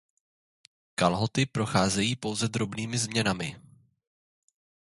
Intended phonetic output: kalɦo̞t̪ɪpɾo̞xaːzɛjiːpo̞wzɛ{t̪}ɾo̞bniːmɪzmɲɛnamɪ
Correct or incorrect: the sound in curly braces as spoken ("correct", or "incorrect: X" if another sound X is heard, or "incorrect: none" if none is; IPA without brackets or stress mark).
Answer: incorrect: d̪